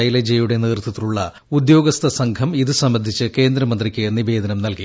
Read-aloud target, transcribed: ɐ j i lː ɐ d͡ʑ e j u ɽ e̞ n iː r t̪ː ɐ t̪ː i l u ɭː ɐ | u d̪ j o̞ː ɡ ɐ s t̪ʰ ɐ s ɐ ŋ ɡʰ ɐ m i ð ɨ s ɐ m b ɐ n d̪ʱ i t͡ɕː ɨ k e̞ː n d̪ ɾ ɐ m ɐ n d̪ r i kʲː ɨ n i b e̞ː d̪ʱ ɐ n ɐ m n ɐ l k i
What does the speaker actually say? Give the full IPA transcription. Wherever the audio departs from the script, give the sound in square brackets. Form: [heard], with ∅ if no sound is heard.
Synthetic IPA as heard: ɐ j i [l] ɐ d͡ʑ e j u ɽ e̞ n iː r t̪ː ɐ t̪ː i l u ɭː ɐ | u d̪ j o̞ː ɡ ɐ s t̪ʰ ɐ s ɐ ŋ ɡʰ ɐ m i ð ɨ s ɐ m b ɐ n d̪ʱ i t͡ɕː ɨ k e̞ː n d̪ ɾ ɐ m ɐ n d̪ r i kʲː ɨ n i b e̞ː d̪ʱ ɐ n ɐ m n ɐ l k i

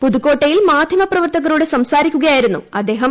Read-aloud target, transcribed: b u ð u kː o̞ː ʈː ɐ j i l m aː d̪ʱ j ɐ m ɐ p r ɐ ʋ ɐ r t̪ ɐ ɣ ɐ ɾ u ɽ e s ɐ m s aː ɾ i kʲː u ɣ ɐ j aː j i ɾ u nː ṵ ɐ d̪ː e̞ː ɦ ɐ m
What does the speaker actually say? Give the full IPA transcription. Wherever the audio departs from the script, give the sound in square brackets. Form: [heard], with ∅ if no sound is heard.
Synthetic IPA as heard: [p] u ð u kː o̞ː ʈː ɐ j i l m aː d̪ʱ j ɐ m ɐ p r ɐ ʋ ɐ r t̪ ɐ ɣ ɐ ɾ u ɽ e s ɐ m s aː ɾ i kʲː u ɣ ɐ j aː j i ɾ u nː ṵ ɐ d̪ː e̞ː ɦ ɐ m

